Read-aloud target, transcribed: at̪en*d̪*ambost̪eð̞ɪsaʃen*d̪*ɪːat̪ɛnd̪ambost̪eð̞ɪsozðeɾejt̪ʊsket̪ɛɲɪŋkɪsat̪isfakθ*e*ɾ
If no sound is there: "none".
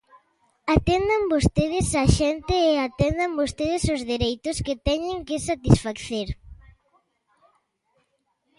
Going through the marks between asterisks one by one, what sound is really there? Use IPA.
d̪, t̪, e

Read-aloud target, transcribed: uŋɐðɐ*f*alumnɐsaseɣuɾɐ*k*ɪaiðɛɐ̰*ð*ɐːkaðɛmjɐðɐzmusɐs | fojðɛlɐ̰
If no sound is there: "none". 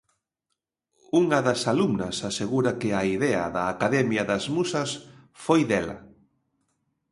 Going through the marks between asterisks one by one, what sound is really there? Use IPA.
s, k, ð

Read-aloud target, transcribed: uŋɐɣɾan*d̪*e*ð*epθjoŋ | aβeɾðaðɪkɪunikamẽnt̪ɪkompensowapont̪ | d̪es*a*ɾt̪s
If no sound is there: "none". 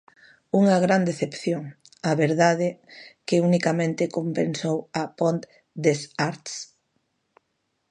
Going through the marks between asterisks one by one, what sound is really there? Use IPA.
d̪, θ, a

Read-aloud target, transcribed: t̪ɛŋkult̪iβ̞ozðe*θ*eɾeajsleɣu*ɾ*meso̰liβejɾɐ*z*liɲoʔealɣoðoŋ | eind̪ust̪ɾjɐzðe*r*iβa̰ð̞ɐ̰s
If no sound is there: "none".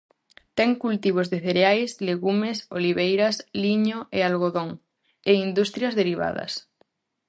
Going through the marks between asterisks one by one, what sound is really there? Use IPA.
θ, none, s, ɾ

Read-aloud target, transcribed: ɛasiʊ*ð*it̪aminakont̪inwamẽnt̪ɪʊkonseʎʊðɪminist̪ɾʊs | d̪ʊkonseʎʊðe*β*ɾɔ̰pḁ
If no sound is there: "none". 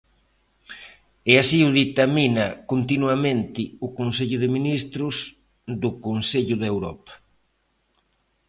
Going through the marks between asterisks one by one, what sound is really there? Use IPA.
ð, w

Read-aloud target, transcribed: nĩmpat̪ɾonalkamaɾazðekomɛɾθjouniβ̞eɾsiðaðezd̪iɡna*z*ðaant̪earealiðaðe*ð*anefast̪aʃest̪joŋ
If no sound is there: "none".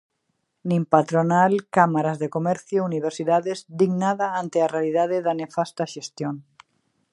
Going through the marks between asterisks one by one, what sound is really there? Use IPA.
none, ð

